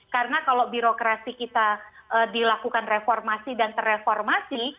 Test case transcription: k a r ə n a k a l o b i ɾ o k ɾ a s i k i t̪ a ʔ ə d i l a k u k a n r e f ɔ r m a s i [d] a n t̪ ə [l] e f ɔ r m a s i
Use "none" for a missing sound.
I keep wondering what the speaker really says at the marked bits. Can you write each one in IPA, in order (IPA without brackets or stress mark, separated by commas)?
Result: d, r